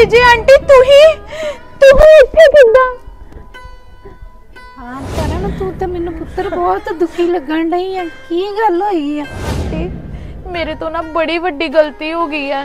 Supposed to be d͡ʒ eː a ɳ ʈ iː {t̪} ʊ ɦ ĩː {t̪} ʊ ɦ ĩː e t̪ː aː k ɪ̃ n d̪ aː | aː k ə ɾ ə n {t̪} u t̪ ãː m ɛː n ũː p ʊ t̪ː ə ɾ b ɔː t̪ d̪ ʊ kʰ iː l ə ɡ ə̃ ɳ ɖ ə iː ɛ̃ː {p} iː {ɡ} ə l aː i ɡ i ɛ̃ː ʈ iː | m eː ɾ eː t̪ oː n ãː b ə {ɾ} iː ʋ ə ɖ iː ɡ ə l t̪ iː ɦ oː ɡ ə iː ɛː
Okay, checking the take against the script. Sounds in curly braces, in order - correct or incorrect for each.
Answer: correct, correct, correct, incorrect: k, correct, incorrect: ɽ

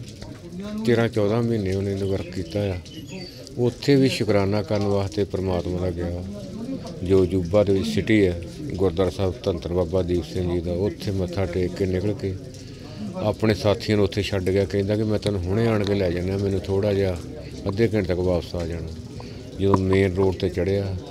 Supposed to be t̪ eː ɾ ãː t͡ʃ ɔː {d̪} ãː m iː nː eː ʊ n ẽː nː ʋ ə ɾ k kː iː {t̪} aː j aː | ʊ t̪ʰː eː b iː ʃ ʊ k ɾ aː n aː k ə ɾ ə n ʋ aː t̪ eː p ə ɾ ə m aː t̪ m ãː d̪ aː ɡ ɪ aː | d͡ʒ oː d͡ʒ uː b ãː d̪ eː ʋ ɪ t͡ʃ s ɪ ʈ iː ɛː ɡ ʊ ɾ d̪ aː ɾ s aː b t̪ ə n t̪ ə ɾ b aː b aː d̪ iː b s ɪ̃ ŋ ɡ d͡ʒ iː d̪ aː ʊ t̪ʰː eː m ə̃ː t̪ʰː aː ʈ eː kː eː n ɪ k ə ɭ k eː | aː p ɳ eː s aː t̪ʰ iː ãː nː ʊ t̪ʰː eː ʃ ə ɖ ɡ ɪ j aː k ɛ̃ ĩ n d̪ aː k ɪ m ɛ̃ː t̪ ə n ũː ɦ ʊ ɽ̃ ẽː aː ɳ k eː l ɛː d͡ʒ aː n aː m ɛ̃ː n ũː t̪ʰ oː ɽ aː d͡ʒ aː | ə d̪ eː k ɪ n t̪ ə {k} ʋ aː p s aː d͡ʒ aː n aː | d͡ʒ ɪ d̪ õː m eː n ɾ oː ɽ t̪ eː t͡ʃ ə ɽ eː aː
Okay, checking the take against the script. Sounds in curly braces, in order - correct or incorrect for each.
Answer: correct, correct, correct

